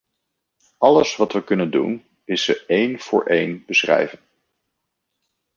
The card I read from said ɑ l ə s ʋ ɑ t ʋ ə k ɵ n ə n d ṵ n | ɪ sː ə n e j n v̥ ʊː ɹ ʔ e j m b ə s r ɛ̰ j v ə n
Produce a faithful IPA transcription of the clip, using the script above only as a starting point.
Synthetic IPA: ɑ l ə s ʋ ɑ t ʋ ə k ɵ n ə n d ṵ n | ɪ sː ə e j n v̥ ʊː ɹ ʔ e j n b ə s r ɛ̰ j v ə n